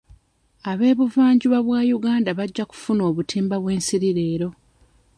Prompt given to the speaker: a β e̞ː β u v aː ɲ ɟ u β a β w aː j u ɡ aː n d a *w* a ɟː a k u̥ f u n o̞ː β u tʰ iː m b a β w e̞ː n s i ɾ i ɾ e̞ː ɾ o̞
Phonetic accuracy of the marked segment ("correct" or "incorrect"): incorrect